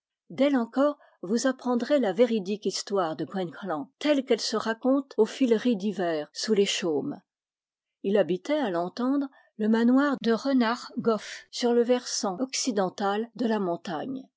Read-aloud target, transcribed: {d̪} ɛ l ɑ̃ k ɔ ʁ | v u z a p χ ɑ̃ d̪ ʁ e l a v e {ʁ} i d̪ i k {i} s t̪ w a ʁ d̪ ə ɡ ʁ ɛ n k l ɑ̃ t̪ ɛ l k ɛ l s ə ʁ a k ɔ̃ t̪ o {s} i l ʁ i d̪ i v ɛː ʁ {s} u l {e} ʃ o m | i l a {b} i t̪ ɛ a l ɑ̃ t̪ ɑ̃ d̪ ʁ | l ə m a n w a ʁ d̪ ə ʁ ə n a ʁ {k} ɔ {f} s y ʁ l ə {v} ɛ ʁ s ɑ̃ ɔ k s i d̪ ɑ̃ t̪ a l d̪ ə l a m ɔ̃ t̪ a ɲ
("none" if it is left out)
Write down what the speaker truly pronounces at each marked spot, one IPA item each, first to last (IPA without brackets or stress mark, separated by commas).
d̪, ʁ, i, f, s, e, b, ɡ, f, v